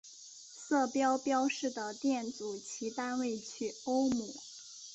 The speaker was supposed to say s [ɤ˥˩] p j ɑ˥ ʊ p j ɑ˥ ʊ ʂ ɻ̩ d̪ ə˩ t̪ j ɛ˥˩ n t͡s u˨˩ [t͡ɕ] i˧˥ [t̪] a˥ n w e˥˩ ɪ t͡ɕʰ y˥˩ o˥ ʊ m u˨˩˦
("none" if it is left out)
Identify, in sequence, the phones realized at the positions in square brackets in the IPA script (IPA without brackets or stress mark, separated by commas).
ɤ˥˩, t͡ɕʰ, t̪